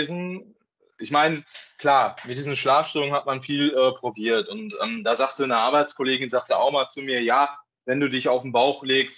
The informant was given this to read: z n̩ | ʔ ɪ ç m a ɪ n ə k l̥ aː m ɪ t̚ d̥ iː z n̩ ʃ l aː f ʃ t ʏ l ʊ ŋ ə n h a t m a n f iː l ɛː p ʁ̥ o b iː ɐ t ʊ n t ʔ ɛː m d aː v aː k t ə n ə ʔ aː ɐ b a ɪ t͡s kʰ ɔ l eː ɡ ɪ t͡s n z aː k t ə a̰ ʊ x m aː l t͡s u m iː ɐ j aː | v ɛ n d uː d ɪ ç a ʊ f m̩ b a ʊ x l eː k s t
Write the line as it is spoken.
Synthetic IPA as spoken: z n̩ | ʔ ɪ ç m a ɪ n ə k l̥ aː m ɪ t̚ d̥ iː z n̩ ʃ l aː f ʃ t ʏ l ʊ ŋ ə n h a t m a n f iː l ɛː p ʁ̥ o b iː ɐ t ʊ n t ʔ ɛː m d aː z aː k t ə n ə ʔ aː ɐ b a ɪ t͡s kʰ ɔ l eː ɡ ɪ n z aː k t ə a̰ ʊ x m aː l t͡s u m iː ɐ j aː | v ɛ n d uː d ɪ ç a ʊ f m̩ b a ʊ x l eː k s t